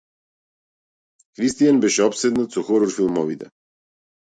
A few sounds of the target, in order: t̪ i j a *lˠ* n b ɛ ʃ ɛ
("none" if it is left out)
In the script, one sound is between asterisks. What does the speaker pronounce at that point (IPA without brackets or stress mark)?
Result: none